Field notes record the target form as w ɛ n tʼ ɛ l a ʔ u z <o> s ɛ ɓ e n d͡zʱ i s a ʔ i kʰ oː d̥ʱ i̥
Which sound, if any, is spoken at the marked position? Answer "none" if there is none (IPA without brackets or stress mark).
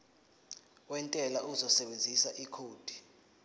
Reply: ɔ